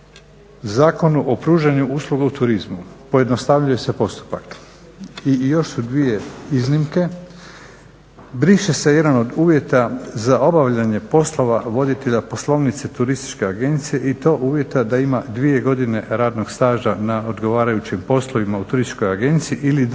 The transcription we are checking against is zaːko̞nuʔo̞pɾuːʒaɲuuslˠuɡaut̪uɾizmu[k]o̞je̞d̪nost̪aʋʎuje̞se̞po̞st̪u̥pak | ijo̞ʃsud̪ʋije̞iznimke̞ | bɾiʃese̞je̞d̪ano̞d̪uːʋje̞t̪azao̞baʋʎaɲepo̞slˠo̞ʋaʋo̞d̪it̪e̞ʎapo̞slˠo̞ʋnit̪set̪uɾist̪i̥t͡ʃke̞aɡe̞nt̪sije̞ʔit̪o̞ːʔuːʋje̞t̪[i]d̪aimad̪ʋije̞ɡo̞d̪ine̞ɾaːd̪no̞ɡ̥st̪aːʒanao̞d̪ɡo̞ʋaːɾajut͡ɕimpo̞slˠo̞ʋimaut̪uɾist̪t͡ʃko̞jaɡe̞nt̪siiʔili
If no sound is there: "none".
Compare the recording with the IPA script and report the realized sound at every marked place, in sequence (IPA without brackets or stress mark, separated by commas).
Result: p, a